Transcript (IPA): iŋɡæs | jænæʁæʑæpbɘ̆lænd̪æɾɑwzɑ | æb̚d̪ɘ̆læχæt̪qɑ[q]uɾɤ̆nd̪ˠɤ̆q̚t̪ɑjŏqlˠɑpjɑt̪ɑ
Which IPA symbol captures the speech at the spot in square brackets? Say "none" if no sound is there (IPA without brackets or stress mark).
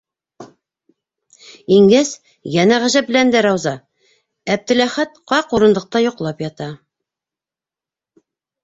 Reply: q